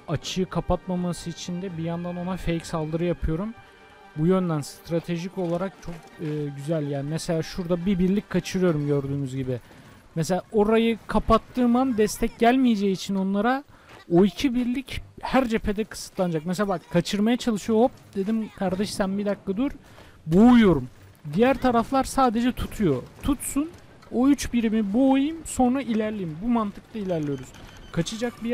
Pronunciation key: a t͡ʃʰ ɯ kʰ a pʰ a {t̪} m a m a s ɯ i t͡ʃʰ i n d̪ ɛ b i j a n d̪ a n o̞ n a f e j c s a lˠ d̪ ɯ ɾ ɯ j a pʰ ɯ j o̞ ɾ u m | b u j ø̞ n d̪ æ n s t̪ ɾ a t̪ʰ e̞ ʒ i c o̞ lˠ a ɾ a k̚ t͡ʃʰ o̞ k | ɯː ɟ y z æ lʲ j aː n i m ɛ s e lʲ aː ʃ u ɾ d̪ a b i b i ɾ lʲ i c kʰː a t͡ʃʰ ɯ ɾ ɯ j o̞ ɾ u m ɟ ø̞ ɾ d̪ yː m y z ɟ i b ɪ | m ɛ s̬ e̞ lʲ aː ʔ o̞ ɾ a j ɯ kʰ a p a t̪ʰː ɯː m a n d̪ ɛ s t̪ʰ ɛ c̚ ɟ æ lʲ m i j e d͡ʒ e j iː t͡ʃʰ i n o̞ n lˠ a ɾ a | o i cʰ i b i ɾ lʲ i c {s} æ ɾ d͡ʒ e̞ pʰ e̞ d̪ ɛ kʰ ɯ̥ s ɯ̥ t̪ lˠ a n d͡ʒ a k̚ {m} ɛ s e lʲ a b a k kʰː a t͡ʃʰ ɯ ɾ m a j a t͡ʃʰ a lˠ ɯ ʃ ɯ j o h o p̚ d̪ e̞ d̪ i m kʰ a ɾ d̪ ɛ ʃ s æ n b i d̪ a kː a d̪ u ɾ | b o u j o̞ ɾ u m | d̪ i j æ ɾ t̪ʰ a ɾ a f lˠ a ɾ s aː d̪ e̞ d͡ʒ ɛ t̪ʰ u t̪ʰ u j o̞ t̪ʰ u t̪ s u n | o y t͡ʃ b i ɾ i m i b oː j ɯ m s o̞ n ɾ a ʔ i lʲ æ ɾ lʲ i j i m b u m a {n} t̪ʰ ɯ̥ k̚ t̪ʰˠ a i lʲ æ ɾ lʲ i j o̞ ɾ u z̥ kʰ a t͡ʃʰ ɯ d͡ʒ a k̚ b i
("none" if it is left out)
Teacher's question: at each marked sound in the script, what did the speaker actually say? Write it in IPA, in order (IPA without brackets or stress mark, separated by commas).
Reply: t̪, h, m, n